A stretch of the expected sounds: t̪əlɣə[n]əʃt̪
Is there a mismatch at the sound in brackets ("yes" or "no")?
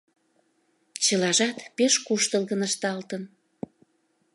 no